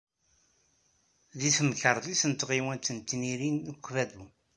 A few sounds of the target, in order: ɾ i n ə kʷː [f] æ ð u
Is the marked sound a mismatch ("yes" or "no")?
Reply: yes